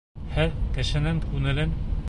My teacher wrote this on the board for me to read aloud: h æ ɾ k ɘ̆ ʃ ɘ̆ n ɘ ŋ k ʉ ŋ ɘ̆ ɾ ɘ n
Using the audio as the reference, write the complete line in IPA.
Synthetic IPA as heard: h æ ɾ k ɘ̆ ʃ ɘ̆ n ɘ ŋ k ʉ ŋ ɘ̆ l ɘ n